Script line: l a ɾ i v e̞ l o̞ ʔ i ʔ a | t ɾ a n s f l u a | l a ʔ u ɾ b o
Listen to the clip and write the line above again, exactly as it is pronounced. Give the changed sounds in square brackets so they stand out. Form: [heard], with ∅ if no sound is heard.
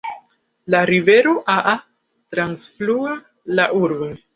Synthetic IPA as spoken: l a ɾ i v e̞ [ɾ] o̞ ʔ [a] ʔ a | t ɾ a n s f l u a | l a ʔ u ɾ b o